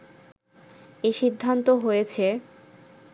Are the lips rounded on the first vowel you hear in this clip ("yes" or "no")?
no